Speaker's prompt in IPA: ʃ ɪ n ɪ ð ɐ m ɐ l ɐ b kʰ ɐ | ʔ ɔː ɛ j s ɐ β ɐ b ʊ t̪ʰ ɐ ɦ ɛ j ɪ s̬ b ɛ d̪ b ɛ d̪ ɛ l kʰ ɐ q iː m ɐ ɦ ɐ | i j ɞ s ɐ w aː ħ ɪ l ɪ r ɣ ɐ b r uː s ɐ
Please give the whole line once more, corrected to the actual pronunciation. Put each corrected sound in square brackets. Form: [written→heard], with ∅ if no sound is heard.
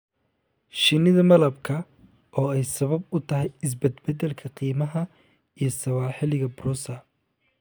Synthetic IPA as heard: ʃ ɪ n ɪ ð ɐ m ɐ l ɐ b kʰ ɐ | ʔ ɔː ɛ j s ɐ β ɐ b ʊ t̪ʰ ɐ ɦ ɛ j ɪ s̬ b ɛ d̪ b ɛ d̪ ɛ l kʰ ɐ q iː m ɐ ɦ ɐ | i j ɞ s ɐ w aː ħ ɪ l ɪ [r→∅] ɣ ɐ b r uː s ɐ